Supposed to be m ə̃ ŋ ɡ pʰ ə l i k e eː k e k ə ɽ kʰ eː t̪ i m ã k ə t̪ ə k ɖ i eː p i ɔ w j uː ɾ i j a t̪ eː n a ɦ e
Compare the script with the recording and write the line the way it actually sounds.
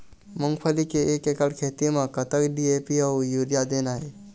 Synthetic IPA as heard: m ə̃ ŋ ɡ pʰ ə l i k e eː k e k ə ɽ kʰ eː t̪ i m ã k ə t̪ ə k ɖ i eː p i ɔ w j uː ɾ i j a d̪ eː n a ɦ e